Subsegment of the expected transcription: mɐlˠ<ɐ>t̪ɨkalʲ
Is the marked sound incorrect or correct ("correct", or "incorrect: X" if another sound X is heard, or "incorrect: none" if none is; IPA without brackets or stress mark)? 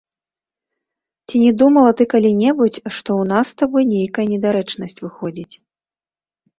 correct